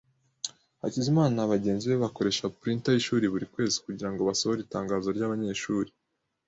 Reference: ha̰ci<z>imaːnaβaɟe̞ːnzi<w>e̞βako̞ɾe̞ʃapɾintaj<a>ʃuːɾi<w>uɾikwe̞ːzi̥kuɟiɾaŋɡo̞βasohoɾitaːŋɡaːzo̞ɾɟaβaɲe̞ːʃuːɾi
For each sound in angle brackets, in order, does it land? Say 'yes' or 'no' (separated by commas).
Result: yes, no, no, no